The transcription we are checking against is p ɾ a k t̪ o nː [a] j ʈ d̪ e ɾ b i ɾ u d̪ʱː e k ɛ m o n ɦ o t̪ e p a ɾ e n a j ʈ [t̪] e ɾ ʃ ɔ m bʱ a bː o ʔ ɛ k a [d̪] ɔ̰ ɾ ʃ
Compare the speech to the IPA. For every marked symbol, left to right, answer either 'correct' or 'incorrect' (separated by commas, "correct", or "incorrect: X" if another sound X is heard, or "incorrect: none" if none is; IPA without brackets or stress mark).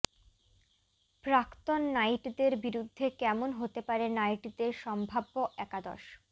correct, incorrect: d̪, correct